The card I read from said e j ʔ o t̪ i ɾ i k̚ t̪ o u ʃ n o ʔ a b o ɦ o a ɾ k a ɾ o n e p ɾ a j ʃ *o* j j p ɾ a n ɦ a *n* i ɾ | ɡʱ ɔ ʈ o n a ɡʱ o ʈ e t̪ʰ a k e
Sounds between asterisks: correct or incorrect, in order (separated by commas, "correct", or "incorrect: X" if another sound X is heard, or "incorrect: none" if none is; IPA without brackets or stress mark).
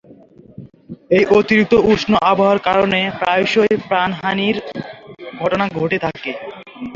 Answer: correct, correct